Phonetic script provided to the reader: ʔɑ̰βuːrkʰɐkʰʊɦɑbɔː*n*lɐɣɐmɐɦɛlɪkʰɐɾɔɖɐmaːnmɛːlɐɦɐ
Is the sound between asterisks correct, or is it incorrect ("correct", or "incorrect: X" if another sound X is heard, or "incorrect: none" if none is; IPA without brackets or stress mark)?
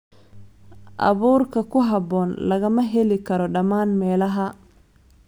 correct